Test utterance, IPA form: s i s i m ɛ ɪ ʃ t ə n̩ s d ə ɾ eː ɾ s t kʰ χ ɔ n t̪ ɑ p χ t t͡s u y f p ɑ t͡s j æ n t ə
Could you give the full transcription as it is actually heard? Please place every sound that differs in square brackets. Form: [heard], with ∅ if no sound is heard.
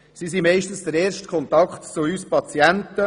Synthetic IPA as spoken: s i s i m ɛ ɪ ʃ t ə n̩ s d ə ɾ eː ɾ [ʃ] t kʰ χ ɔ n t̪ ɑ [k] χ t t͡s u y [s] p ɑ t͡s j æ n t ə